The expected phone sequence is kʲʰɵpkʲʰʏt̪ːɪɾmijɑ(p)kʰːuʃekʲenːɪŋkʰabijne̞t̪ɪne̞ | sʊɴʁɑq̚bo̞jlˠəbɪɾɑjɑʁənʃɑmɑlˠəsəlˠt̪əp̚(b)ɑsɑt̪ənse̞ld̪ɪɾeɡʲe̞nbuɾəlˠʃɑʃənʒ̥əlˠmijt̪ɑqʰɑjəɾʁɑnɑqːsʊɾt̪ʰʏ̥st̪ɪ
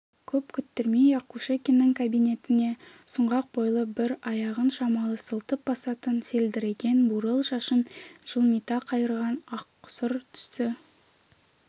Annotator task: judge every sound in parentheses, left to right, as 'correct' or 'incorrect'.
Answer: incorrect, correct

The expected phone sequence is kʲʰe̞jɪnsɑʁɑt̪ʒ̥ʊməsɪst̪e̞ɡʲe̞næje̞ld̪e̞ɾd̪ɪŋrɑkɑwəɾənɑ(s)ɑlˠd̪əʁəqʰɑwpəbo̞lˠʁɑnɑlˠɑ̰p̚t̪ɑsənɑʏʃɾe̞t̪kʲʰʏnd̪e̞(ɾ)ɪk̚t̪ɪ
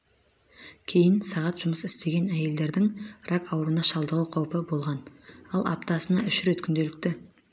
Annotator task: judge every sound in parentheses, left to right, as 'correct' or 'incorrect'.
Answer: incorrect, incorrect

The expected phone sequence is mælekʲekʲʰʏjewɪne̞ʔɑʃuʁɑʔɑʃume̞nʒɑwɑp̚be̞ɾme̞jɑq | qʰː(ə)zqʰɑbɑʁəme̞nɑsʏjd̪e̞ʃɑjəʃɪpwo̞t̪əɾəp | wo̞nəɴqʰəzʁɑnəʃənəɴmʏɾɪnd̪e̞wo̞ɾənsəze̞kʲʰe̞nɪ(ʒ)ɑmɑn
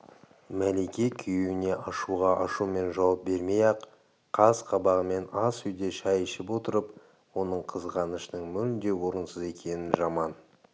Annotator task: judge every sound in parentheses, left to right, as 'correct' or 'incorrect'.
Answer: incorrect, correct

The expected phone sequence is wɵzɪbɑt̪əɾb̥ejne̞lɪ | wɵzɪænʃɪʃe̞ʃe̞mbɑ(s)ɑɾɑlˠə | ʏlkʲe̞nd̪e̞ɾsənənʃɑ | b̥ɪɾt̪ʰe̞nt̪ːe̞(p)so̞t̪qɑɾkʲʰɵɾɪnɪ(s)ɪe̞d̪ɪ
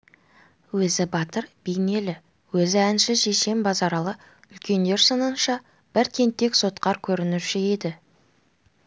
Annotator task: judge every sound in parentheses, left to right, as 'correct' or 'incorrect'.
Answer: incorrect, incorrect, incorrect

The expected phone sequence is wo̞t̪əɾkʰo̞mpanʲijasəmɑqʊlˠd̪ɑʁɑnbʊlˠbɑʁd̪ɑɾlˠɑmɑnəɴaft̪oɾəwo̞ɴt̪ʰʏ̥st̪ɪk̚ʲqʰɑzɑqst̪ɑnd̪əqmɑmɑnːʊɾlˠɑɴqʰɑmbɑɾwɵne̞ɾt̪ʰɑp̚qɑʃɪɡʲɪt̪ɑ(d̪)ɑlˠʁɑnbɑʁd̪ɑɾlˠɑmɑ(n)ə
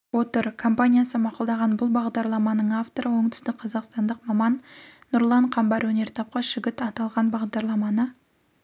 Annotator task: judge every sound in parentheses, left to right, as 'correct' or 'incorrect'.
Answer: incorrect, correct

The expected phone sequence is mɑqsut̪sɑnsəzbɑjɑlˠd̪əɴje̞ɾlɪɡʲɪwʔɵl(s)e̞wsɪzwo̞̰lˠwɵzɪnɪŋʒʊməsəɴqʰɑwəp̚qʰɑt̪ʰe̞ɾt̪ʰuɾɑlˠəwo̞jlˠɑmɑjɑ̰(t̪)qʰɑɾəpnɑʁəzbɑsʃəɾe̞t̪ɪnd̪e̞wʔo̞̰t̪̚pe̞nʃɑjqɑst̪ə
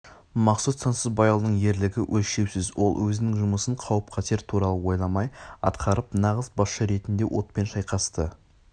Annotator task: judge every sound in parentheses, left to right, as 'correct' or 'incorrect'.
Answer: incorrect, correct

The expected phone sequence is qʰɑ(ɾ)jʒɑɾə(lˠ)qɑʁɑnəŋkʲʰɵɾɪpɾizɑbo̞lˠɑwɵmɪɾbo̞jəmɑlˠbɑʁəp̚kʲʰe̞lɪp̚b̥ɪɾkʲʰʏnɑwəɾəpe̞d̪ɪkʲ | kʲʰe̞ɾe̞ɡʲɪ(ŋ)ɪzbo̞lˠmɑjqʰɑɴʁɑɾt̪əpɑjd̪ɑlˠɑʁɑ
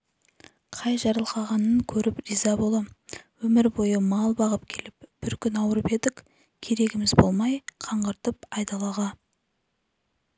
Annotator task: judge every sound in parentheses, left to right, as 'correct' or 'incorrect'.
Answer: incorrect, correct, incorrect

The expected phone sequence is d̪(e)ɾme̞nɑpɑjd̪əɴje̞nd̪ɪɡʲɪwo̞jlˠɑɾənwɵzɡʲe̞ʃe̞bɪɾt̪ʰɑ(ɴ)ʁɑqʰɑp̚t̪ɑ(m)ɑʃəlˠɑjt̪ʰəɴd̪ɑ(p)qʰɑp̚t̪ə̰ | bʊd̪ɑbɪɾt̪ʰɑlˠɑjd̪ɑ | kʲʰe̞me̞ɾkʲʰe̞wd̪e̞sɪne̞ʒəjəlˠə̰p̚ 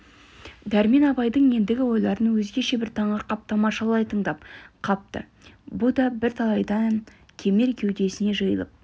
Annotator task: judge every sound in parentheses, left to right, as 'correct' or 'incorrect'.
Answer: incorrect, correct, correct, correct

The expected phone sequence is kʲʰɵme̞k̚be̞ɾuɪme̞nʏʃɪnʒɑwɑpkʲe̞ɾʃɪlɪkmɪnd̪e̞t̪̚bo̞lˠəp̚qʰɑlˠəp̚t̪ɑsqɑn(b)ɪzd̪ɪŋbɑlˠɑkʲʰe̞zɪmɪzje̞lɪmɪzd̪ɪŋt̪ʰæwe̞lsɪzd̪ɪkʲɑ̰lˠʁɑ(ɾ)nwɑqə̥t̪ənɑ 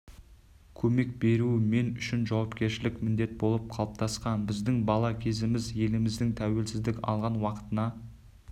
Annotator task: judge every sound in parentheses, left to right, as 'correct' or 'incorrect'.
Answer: correct, incorrect

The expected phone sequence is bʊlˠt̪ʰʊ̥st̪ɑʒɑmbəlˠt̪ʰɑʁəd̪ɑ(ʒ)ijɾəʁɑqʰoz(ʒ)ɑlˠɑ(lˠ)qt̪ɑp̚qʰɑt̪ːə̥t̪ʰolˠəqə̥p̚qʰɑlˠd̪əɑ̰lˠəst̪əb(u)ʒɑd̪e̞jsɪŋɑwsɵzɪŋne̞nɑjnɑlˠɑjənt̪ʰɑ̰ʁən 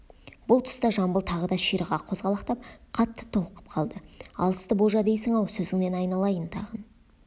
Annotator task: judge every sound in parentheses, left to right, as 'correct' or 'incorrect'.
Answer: incorrect, incorrect, incorrect, incorrect

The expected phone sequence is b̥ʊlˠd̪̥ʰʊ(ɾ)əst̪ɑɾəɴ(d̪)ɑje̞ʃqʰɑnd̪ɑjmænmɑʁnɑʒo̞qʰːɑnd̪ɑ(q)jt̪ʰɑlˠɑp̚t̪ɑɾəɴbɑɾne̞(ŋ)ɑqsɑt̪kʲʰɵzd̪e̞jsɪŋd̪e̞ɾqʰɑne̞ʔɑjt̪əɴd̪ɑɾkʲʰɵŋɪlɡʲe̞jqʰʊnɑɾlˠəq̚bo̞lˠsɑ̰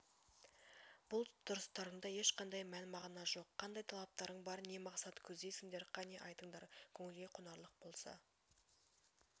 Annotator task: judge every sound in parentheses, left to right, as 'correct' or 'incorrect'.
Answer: correct, correct, incorrect, incorrect

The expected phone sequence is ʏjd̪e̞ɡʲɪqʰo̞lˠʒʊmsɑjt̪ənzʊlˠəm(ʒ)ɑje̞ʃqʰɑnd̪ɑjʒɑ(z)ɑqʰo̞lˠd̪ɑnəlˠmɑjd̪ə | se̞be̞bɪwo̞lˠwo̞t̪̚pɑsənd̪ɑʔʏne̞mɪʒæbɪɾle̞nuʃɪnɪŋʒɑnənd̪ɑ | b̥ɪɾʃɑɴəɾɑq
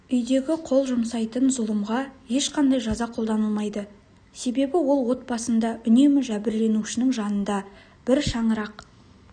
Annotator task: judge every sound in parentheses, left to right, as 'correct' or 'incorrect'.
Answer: incorrect, correct

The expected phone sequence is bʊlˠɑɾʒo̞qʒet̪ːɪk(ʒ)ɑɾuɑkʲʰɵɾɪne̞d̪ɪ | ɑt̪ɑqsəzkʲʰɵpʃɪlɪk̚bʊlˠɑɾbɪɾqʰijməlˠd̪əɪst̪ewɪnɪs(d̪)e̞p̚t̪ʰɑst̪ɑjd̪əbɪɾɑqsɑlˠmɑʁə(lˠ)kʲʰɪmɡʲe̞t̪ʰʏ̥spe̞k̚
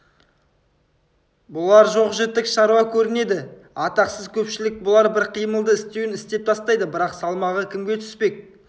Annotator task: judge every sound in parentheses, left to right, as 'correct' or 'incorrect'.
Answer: incorrect, incorrect, incorrect

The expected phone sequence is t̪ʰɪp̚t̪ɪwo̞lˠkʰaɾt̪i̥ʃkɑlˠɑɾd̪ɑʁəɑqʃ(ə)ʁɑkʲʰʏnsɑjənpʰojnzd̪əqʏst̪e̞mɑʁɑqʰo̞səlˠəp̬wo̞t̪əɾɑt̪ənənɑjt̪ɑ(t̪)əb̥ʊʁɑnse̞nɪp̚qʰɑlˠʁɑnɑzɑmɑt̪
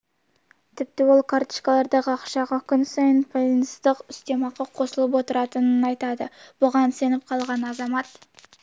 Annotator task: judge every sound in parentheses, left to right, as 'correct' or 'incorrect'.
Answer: incorrect, incorrect

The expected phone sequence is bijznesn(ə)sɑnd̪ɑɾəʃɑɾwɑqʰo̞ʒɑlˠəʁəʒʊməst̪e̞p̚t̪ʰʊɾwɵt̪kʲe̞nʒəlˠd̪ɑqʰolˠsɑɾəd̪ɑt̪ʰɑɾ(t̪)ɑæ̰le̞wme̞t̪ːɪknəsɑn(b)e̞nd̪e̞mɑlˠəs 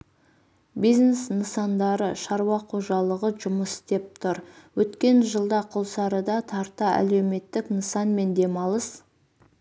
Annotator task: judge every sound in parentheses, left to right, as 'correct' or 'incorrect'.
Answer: correct, correct, incorrect

